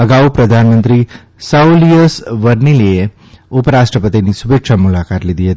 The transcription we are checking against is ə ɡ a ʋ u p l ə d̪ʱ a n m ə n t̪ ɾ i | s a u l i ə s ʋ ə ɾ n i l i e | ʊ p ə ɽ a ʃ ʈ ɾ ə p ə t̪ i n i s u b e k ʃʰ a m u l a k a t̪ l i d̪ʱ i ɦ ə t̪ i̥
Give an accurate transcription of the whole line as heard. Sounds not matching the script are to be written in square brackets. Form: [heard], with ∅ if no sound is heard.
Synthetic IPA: ə ɡ a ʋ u p [ɾ] ə d̪ʱ a n m ə n t̪ ɾ i | s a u l i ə s ʋ ə ɾ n i l i e | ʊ p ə [ɾ] a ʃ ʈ ɾ ə p ə t̪ i n i s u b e k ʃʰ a m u l a k a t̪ l i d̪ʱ i ɦ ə t̪ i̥